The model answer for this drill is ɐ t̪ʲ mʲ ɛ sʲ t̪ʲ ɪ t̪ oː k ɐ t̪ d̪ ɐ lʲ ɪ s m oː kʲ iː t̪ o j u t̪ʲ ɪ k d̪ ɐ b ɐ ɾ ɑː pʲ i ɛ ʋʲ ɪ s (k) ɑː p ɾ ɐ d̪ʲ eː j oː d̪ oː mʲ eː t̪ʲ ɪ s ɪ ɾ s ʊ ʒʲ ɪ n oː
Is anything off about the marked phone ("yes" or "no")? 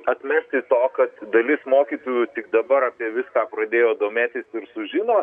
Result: no